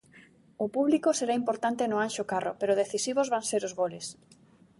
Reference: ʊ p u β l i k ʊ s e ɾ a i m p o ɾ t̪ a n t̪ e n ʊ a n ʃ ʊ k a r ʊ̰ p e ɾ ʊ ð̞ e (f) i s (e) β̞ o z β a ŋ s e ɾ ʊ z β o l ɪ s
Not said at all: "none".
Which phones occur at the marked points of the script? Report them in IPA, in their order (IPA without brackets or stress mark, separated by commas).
θ, i